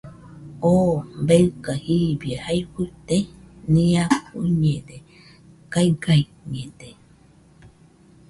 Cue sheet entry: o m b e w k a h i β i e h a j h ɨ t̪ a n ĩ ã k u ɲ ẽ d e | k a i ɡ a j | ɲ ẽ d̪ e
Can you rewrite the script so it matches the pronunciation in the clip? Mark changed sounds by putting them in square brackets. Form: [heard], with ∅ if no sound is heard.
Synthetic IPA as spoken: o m b e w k a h i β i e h a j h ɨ t̪ [e] n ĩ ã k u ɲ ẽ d e | k a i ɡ a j | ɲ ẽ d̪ e